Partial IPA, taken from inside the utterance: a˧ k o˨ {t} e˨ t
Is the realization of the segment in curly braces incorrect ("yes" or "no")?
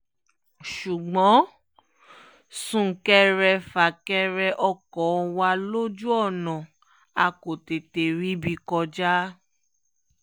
no